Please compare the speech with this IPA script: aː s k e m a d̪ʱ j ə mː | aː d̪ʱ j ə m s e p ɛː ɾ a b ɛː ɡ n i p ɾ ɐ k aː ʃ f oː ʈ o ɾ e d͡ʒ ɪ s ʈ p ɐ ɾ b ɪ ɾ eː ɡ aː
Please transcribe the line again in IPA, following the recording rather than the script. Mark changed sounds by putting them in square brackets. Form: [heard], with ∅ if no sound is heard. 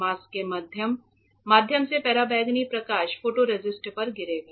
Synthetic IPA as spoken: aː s k e m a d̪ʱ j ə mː | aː d̪ʱ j ə m s e p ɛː ɾ a b ɛː ɡ n i p ɾ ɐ k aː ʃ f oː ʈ o ɾ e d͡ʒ ɪ s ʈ p ɐ ɾ [ɡ] ɪ ɾ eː ɡ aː